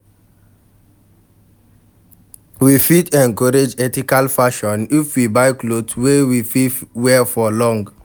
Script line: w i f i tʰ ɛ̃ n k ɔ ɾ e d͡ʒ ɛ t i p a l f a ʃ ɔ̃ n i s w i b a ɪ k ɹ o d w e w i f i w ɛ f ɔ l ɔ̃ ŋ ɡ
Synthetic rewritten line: w i f i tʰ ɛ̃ n k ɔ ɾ e d͡ʒ ɛ t i k a l f a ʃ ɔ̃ n i f w i b a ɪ k l o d w e w i f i w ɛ f ɔ l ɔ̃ ŋ ɡ